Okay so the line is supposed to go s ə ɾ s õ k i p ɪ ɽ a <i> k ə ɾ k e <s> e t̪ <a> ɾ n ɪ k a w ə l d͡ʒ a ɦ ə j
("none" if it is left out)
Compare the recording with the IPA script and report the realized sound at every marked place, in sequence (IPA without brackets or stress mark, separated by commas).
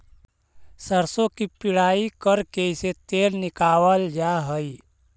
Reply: i, s, e